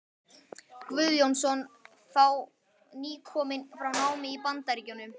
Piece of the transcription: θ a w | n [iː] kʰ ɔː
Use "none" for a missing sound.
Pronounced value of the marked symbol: iː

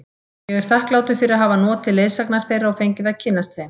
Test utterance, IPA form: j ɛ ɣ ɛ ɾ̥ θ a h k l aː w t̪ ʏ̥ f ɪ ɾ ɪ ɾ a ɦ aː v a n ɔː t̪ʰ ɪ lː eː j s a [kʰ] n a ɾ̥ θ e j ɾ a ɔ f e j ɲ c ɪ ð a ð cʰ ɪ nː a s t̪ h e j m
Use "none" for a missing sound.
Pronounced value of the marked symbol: k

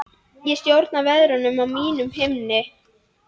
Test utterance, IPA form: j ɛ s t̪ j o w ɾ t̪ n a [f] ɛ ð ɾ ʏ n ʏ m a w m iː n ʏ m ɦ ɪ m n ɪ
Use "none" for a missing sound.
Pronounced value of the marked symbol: v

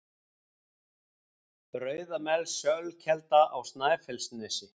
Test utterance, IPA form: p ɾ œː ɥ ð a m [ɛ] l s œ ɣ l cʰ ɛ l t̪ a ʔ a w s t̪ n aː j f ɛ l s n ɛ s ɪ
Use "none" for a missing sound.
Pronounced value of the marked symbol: ɛ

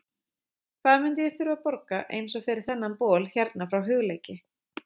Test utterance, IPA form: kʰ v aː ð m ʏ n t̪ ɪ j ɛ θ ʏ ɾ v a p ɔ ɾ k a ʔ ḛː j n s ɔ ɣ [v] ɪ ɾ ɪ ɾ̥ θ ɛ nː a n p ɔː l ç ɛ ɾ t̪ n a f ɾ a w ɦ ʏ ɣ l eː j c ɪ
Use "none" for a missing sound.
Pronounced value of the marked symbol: f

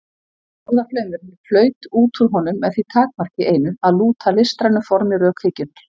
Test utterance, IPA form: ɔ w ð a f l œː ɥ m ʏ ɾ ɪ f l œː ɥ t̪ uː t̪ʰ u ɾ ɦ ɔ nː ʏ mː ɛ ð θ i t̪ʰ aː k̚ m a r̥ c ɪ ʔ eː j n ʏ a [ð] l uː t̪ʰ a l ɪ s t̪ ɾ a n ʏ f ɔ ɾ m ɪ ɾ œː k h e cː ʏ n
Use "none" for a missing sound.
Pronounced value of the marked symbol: ð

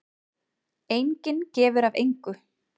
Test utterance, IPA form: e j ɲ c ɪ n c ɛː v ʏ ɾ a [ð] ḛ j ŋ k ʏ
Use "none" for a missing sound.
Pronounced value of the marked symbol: v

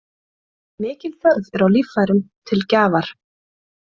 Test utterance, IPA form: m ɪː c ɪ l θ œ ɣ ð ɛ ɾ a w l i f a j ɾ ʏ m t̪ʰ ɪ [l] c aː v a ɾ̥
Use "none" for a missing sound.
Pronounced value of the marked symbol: l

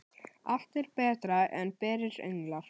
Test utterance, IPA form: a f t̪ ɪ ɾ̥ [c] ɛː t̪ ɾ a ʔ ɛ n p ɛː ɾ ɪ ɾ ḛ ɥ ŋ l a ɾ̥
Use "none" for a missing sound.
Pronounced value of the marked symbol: p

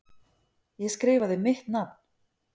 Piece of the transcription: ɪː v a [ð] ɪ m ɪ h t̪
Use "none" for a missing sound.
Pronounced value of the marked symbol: ð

